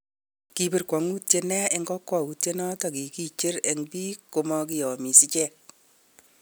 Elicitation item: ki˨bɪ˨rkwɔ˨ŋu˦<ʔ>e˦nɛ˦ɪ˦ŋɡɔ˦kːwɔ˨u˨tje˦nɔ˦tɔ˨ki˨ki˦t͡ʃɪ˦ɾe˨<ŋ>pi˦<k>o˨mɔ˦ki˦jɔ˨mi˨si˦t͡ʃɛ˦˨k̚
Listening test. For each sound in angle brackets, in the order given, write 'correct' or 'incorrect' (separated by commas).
incorrect, correct, correct